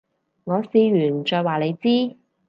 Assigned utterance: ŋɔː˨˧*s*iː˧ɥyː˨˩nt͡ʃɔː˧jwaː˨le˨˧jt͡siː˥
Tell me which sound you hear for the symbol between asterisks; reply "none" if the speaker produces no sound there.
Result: s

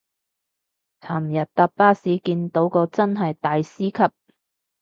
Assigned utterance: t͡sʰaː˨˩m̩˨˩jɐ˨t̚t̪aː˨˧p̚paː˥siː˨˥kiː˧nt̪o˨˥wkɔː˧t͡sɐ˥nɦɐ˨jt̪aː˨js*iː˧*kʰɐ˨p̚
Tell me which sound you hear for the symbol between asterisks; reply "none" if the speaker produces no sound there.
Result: iː˥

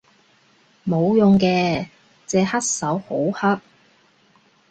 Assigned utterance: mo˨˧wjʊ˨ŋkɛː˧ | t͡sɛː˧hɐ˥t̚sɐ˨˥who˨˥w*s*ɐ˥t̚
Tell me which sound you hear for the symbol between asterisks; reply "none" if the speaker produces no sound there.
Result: h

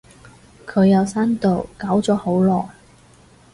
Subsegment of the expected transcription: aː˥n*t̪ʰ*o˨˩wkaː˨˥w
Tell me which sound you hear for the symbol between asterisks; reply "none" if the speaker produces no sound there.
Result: t̪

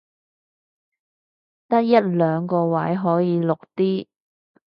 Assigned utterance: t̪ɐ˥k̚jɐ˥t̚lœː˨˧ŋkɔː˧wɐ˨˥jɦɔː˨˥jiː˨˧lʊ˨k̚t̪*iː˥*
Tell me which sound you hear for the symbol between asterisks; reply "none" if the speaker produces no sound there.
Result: iː˥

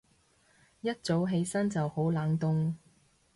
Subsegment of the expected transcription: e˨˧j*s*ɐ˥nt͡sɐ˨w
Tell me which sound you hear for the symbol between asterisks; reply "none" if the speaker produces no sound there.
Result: s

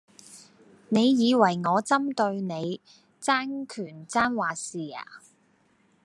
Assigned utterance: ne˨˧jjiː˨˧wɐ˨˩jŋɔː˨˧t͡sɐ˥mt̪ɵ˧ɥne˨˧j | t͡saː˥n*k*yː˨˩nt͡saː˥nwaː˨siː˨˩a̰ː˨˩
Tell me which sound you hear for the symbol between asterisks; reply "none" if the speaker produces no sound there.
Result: kʰ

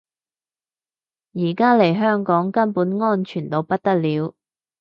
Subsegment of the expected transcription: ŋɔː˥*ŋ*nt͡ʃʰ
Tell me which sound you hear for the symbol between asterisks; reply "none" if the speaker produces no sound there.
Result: none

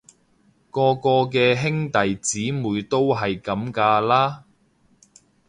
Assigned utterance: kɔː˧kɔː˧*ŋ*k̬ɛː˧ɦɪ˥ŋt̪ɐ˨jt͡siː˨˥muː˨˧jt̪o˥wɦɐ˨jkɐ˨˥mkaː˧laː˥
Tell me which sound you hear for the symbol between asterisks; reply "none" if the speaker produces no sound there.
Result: none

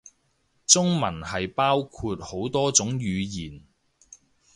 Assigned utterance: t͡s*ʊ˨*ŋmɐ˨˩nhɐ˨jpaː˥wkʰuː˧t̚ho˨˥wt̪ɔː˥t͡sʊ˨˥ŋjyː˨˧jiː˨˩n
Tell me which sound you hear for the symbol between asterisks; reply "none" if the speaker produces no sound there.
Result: ʊ˥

